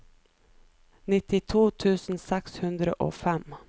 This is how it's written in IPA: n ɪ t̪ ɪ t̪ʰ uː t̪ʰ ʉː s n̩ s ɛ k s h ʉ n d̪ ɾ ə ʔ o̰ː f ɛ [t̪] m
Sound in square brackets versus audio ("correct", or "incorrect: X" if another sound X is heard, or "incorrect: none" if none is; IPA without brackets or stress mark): incorrect: none